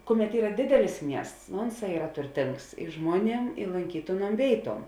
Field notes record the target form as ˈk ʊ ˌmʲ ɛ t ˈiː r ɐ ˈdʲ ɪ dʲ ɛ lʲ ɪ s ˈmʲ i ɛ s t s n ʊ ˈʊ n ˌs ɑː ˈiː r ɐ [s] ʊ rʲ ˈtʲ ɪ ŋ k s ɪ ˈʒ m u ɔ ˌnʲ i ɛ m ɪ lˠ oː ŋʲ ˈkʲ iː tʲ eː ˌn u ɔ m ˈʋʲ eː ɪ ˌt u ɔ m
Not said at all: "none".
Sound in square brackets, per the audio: t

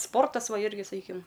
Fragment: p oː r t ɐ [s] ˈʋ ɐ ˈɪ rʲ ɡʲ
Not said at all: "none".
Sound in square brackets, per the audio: s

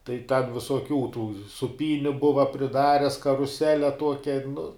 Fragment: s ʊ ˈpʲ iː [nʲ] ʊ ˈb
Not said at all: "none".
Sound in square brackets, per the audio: nʲ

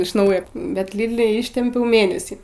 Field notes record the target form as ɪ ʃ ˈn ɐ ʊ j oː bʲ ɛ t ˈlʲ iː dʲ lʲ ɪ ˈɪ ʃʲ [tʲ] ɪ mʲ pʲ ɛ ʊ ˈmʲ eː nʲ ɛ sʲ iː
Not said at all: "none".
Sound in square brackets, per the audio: tʲ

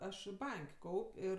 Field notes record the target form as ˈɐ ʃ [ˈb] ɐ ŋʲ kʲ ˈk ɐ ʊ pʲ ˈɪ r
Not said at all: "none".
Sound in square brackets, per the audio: b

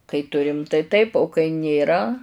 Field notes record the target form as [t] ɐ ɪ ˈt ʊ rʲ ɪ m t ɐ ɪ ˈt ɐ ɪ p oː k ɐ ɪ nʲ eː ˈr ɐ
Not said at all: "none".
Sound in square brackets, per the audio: k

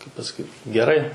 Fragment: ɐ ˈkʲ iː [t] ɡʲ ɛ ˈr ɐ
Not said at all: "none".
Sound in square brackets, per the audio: t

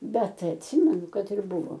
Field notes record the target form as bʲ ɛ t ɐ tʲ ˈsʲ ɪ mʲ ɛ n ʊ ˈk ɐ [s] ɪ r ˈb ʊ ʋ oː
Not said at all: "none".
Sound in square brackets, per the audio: t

